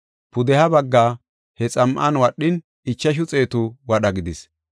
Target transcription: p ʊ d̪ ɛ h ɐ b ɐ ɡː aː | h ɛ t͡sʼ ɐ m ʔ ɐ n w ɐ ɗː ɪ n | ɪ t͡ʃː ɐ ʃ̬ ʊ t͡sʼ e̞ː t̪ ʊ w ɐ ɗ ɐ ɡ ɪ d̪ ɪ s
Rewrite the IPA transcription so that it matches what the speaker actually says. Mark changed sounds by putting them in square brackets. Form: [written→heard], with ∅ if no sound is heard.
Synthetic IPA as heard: p ʊ d̪ ɛ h ɐ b ɐ ɡː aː | h ɛ t͡sʼ ɐ m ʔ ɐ n w ɐ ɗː ɪ n | ɪ t͡ʃː ɐ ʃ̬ ʊ t͡sʼ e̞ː t̪ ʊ w ɐ ɗ ɐ ɡ ɪ d̪ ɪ s